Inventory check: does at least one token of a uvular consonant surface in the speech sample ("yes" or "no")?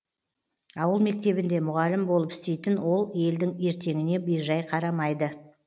yes